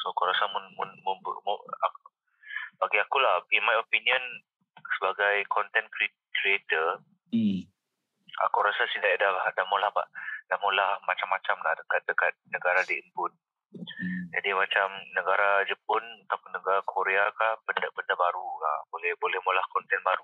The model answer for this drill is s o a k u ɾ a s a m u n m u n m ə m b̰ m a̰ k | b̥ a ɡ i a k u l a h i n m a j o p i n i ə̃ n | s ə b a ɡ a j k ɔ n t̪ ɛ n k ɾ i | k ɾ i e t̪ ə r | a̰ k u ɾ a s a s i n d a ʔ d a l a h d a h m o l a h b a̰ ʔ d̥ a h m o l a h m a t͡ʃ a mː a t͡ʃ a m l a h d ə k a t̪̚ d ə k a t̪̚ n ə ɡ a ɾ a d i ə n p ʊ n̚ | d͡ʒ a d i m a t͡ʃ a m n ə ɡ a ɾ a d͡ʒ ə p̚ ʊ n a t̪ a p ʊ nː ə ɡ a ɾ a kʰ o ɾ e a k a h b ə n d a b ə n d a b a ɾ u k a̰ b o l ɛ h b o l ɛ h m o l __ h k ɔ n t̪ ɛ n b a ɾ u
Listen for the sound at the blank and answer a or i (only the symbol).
a